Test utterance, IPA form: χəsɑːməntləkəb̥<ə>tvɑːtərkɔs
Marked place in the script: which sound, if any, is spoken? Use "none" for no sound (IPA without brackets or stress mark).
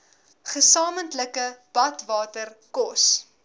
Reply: ɐ